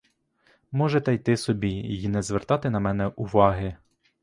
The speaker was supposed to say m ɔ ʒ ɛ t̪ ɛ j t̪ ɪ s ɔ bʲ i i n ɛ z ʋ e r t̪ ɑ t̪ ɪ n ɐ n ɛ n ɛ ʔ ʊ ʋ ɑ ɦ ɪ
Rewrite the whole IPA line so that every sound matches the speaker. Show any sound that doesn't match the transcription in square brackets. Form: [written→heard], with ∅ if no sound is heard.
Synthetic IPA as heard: m ɔ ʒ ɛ t̪ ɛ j t̪ ɪ s ɔ bʲ i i n ɛ z ʋ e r t̪ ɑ t̪ ɪ n ɐ [n→m] ɛ n ɛ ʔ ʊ ʋ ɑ ɦ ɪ